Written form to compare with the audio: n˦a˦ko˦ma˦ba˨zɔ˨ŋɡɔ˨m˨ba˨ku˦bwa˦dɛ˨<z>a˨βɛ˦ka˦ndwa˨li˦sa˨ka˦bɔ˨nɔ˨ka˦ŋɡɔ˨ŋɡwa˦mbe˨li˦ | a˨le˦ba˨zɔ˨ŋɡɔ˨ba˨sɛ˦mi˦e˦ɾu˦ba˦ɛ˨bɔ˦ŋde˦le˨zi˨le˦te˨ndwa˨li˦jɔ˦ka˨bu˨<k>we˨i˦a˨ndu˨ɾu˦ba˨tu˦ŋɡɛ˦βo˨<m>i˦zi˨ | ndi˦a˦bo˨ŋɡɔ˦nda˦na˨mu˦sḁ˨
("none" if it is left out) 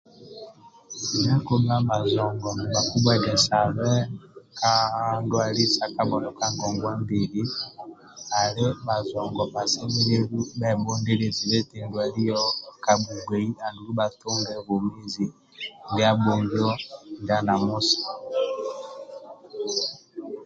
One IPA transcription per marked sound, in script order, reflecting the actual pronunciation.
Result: s, ɡ, m

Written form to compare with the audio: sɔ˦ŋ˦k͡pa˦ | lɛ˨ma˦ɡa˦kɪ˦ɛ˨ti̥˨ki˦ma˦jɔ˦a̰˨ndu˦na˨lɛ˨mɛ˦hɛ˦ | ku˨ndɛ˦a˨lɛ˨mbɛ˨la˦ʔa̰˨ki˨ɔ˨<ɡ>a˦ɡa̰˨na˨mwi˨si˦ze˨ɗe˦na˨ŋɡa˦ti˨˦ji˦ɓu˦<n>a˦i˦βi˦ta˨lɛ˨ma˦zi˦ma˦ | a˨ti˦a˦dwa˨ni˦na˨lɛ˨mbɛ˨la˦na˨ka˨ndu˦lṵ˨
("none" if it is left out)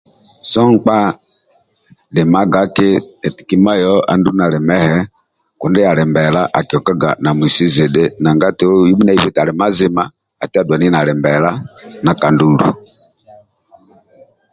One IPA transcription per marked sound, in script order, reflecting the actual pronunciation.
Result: k, n

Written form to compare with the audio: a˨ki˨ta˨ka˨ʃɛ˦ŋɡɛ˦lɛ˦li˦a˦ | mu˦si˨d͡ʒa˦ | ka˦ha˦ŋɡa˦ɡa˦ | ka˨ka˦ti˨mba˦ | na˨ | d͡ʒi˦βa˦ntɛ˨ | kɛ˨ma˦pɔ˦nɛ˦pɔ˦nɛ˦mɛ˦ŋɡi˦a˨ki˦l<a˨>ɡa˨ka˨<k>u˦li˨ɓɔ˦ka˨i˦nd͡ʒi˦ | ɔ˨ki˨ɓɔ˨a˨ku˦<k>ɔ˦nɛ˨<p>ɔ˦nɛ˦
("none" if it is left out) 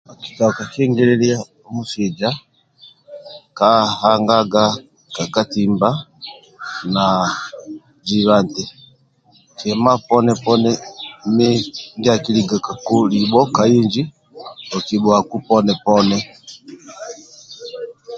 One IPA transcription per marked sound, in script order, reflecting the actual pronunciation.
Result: i˨, k, p, p

